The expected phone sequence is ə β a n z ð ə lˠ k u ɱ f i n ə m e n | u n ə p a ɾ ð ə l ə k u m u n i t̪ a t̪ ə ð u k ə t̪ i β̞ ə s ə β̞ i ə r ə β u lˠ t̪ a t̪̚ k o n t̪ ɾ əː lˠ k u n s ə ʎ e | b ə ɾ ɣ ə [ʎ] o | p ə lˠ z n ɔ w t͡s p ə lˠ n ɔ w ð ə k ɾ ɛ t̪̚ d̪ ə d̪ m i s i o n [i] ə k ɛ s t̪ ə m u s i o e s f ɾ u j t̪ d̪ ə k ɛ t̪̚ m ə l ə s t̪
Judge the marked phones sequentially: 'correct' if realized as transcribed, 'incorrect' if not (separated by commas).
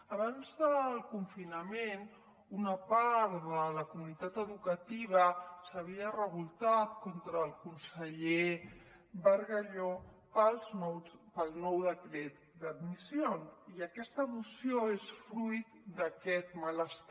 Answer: correct, correct